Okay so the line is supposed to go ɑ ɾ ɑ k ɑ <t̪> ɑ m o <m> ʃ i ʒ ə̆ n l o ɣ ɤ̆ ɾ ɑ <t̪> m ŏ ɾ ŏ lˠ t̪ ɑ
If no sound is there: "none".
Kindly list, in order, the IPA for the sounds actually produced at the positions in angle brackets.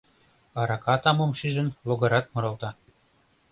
t̪, m, t̪

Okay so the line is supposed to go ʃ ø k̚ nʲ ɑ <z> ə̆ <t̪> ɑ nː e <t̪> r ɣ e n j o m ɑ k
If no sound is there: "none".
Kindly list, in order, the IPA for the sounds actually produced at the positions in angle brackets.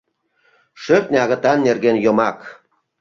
ɣ, t̪, none

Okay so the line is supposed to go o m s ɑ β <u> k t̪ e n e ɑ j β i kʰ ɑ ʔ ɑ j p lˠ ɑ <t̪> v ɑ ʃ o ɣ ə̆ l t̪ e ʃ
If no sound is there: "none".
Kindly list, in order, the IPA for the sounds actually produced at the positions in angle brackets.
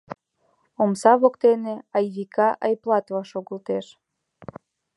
o, t̪

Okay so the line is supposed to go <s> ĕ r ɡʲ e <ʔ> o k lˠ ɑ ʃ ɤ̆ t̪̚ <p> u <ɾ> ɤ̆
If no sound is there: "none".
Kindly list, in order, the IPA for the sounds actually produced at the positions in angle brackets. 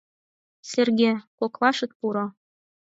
s, k, p, ɾ

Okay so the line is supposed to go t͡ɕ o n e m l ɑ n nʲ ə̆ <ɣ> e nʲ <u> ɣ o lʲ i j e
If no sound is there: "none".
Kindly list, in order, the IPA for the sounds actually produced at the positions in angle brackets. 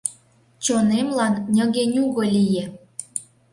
ɣ, u

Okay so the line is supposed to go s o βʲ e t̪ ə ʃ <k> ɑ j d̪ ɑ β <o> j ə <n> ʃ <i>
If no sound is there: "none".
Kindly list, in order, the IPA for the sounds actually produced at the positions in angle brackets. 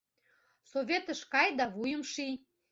k, u, m, i

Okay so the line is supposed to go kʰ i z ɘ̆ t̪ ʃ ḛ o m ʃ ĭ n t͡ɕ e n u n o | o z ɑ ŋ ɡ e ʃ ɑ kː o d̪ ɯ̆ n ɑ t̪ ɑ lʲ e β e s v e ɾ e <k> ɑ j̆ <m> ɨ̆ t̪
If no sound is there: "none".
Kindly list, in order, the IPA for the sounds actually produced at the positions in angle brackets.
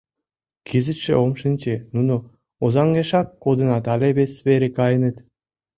k, n

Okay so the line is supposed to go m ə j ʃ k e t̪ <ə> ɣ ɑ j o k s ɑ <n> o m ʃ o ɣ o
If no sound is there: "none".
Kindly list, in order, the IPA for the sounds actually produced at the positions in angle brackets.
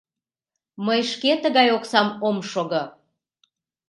ə, m

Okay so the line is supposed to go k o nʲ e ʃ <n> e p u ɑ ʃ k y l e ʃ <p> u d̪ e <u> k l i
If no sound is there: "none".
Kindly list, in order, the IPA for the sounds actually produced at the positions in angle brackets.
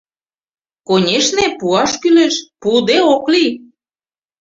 n, p, o

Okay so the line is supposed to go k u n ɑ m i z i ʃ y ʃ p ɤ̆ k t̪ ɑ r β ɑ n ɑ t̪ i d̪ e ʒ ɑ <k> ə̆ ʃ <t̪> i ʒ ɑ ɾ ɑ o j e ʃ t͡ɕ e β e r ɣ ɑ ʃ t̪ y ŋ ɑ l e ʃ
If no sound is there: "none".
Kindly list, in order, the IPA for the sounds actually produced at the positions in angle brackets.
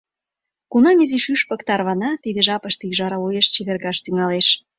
p, t̪

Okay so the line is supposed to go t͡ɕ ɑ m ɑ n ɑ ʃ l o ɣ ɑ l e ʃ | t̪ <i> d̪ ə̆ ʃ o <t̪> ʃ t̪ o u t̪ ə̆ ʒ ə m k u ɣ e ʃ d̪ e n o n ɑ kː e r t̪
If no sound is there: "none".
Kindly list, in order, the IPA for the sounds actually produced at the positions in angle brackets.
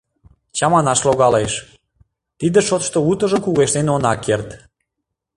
i, t̪

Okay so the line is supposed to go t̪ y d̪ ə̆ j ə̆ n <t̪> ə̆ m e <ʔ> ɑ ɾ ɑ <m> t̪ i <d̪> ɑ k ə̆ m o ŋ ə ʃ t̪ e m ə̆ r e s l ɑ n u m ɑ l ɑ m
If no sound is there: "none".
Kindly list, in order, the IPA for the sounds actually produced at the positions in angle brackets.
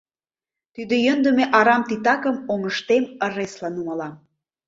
d̪, ʔ, m, t̪

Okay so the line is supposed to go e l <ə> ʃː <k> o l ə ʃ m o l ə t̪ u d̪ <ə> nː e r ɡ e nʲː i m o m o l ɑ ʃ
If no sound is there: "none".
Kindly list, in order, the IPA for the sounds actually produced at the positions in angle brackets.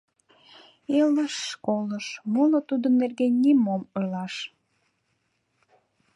ə, k, ə

